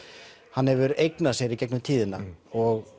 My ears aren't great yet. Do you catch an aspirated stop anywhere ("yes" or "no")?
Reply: yes